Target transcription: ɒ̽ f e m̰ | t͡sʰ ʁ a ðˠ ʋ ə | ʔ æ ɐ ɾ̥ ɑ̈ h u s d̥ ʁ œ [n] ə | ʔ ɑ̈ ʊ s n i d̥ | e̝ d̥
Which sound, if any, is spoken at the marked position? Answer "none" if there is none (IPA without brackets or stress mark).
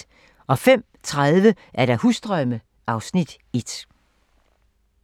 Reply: m